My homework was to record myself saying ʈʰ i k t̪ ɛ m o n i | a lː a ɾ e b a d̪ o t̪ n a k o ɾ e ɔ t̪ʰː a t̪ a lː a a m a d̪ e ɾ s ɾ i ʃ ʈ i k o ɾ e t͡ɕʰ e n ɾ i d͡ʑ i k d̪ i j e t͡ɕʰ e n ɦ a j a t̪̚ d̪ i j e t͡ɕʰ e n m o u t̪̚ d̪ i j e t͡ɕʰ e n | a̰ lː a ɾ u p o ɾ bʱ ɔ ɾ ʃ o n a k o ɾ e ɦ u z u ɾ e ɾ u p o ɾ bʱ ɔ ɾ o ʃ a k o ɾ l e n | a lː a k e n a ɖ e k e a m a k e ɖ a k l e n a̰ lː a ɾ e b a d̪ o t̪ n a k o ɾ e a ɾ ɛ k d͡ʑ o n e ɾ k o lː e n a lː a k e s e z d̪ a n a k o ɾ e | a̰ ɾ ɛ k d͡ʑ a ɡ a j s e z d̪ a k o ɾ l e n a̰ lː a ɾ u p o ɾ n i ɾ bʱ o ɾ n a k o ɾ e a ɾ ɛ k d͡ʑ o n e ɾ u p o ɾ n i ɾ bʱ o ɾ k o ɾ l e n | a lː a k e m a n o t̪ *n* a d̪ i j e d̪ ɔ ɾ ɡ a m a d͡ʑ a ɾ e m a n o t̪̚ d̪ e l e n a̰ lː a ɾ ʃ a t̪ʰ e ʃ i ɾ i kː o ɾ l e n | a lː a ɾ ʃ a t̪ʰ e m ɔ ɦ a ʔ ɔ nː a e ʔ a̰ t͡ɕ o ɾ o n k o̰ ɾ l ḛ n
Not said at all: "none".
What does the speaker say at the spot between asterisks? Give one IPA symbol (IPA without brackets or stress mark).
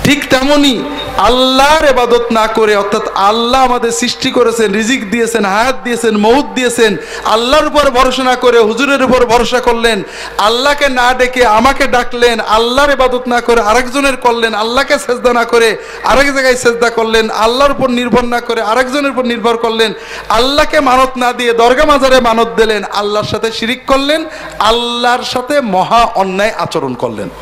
n